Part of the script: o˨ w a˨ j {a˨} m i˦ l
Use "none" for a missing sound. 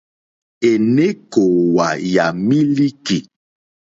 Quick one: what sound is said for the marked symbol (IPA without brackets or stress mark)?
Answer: a˨